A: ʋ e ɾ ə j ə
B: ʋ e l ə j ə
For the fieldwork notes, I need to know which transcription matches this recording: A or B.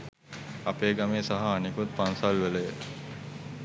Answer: B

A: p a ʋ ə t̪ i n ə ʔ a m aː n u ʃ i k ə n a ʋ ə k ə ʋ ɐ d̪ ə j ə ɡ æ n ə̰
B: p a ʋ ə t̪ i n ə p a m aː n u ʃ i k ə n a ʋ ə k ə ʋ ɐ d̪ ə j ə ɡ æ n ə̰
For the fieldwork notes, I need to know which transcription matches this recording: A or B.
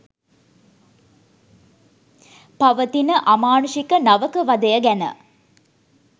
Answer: A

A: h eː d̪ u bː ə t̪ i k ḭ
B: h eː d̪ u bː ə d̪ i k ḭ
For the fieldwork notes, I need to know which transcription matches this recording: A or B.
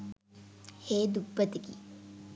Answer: A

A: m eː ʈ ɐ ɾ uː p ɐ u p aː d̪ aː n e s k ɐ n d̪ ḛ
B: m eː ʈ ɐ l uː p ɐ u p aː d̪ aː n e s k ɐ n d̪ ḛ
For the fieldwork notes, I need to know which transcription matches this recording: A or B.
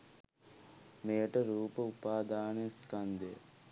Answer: A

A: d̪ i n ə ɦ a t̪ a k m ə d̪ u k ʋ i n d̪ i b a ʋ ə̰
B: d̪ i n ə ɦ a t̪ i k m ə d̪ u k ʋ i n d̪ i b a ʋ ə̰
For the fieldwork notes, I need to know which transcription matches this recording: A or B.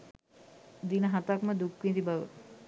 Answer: A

